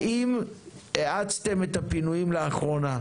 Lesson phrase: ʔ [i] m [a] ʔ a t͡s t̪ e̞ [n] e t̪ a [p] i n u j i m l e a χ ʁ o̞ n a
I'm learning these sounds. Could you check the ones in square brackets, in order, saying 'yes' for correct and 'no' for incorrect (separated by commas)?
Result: yes, no, no, yes